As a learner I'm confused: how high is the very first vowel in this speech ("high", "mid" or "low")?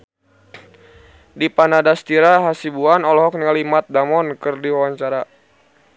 high